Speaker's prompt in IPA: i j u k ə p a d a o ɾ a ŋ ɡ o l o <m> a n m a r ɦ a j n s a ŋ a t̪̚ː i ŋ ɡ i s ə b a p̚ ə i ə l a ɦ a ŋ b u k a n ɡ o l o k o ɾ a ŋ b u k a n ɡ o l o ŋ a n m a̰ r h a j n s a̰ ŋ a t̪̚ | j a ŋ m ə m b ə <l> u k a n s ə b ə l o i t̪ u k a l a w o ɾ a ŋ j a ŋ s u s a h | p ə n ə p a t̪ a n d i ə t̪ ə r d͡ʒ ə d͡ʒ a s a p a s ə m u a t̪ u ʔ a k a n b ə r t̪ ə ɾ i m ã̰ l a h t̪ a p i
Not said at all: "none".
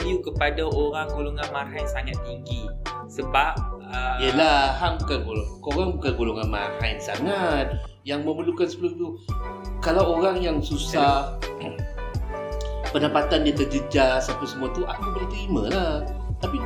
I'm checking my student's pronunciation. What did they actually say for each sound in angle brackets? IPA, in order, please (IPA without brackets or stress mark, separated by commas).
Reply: ŋ, l